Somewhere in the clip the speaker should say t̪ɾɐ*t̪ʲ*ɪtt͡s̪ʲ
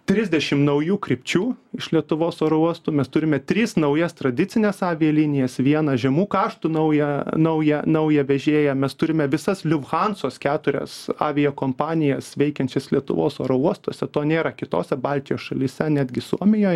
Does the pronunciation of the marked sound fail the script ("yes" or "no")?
yes